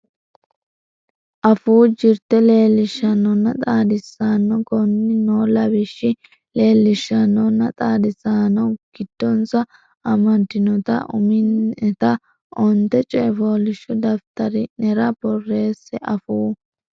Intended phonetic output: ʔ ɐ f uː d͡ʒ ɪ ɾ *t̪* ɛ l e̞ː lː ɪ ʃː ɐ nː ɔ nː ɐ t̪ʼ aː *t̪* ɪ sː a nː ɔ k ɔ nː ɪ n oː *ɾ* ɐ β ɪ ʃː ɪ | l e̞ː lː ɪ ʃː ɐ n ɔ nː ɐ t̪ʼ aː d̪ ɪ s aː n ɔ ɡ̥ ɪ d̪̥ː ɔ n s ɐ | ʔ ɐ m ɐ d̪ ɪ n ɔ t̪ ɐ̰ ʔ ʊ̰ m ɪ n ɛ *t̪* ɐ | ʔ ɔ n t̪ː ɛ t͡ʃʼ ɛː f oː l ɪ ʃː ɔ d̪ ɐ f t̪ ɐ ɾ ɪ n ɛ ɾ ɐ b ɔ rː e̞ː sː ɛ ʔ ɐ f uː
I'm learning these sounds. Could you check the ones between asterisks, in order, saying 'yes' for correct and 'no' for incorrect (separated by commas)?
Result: yes, no, no, yes